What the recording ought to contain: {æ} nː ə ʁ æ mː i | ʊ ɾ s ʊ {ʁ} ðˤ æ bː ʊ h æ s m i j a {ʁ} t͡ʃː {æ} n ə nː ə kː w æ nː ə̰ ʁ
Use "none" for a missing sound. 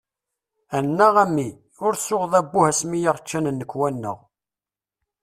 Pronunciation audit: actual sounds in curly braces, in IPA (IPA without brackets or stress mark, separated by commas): æ, ʁ, ʁ, æ